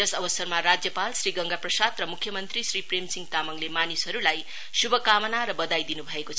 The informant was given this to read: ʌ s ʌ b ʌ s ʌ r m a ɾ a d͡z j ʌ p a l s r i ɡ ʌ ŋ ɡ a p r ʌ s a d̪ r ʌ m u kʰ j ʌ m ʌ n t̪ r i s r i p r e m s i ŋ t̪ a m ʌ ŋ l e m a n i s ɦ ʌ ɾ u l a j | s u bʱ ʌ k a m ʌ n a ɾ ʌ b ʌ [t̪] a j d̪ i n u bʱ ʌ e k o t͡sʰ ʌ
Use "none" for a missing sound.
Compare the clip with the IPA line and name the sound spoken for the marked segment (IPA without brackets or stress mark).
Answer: d̪